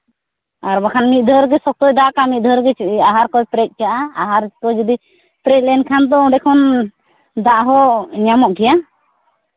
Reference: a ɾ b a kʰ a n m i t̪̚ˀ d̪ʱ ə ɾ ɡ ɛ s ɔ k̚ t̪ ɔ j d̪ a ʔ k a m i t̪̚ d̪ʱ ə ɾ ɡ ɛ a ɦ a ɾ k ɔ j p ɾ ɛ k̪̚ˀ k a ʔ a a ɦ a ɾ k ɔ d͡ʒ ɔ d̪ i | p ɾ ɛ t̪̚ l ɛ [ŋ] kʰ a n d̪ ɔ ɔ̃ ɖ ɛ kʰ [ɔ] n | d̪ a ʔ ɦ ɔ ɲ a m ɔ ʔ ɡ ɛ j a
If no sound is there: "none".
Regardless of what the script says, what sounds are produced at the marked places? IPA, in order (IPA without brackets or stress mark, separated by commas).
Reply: n, ɔ